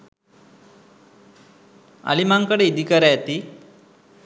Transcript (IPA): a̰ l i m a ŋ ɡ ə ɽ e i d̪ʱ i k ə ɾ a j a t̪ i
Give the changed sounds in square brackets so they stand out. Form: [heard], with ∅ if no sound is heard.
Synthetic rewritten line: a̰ l i m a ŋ [k] ə ɽ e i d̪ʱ i k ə ɾ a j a t̪ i

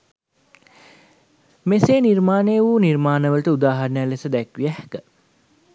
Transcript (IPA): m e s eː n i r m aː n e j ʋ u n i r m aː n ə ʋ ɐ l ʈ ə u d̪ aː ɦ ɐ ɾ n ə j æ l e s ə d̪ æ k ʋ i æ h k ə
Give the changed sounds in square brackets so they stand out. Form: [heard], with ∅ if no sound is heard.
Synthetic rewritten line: m e s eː n i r m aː n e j ʋ u n i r m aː n ə ʋ [ə] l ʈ ə u d̪ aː ɦ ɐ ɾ n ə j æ l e s ə d̪ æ k ʋ i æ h k ə

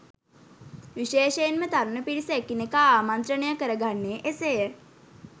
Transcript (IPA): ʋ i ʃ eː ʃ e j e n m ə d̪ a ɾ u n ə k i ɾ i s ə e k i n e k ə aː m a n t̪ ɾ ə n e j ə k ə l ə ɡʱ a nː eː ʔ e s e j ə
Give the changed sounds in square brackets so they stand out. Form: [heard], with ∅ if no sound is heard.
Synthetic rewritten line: ʋ i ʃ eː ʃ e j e n m ə [t̪] a ɾ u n ə [p] i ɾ i s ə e k i n e k [a] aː m a n t̪ ɾ ə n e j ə k ə [ɾ] ə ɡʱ a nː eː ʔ e s e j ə

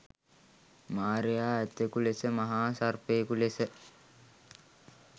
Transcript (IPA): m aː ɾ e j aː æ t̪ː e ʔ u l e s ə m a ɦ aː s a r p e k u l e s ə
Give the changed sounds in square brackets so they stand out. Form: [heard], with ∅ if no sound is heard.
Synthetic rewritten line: m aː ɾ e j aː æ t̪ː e [k] u l e s ə m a ɦ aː s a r p e k u l e s ə

